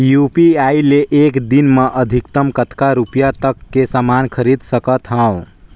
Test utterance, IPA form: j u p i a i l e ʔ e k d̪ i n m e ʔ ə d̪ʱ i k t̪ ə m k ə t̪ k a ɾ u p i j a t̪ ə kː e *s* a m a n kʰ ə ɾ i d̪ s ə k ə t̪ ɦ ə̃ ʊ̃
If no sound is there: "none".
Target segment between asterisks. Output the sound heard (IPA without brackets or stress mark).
s